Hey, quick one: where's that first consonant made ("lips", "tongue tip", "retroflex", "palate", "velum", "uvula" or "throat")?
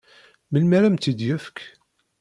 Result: lips